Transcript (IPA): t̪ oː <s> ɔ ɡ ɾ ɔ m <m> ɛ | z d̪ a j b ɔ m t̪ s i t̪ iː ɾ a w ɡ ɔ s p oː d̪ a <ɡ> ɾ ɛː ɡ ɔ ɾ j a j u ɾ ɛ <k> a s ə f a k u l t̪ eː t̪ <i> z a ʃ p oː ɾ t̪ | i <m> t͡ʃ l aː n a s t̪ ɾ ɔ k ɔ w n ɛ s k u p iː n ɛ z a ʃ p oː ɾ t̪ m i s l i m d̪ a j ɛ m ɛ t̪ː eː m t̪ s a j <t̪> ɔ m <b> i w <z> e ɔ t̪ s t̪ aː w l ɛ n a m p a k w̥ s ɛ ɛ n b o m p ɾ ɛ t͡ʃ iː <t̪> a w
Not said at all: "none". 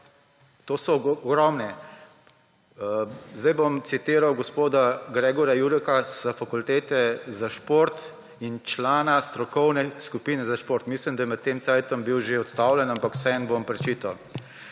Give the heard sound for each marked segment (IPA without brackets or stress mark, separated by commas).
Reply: s, n, ɡ, k, ɛ, n, t̪, b, ʒ, t̪